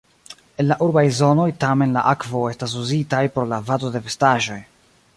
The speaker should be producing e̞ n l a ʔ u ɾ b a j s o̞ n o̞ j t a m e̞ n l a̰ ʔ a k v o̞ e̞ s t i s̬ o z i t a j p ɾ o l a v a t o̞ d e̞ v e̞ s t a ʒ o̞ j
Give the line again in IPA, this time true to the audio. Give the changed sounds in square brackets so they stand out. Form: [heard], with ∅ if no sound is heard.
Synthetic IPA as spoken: e̞ n l a ʔ u ɾ b a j [z] o̞ n o̞ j t a m e̞ n l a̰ ʔ a k v o̞ e̞ s t [a] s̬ [u] z i t a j p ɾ o l a v a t o̞ d e̞ v e̞ s t a ʒ o̞ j